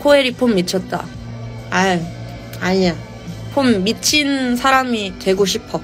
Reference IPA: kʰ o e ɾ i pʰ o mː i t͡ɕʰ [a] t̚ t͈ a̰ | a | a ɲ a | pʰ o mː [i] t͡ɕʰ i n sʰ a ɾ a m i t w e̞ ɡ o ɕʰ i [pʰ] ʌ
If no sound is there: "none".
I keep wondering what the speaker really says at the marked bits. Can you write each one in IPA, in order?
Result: ʌ, i, pʰ

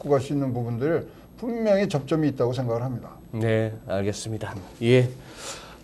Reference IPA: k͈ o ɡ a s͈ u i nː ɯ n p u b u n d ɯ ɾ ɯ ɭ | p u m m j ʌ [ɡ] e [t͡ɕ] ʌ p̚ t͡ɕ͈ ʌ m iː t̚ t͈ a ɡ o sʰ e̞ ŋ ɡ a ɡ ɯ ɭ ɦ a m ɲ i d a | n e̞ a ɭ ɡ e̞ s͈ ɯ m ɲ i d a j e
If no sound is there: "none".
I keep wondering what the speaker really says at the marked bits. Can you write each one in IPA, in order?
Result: ŋ, t͡ɕ

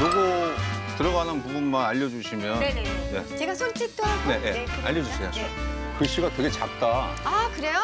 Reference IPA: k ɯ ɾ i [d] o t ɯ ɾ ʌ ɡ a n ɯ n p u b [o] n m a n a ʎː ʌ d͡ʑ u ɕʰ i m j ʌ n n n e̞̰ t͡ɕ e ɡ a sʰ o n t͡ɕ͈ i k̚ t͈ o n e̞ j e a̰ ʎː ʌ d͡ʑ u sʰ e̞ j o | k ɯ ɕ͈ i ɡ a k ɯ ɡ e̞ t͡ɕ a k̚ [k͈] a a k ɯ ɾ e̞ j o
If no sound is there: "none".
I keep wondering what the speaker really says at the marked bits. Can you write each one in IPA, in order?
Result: ɡ, u, t͈

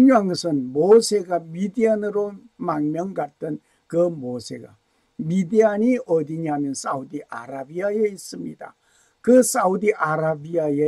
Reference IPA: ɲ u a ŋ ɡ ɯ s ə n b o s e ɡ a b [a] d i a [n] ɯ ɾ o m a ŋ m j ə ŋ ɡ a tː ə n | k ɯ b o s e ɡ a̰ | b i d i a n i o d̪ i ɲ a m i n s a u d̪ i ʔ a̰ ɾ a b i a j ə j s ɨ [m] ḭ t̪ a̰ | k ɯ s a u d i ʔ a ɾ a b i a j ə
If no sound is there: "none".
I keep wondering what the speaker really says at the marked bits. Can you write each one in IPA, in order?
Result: i, n, m

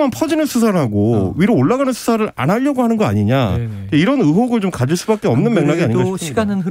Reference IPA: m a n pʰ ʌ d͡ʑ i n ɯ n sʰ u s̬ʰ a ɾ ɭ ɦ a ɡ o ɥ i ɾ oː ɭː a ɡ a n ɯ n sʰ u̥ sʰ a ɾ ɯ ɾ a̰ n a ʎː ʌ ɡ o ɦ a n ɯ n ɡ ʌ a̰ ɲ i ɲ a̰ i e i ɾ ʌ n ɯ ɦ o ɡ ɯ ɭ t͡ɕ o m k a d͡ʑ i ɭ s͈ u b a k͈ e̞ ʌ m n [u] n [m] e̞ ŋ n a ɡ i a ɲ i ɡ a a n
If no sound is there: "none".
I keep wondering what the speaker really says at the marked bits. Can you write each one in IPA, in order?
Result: ɯ, m

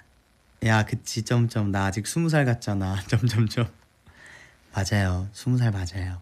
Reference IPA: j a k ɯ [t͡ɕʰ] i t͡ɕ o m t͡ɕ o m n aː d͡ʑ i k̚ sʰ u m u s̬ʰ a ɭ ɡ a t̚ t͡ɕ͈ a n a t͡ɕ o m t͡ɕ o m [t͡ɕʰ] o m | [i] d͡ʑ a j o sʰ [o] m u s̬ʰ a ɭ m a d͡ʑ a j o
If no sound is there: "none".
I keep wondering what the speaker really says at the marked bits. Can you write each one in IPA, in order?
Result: t͡ɕʰ, t͡ɕ, a, u

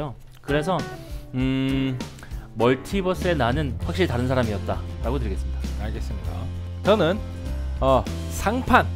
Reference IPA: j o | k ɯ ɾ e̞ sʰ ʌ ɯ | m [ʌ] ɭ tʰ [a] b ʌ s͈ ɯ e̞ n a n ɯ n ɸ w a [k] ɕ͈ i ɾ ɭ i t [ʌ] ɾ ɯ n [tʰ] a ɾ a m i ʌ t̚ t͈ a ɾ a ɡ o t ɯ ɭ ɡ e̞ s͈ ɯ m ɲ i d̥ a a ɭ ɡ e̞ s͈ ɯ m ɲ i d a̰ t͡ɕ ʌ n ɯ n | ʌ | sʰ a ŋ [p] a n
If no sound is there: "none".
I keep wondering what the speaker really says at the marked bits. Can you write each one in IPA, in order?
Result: ʌ, i, k, a, sʰ, pʰ

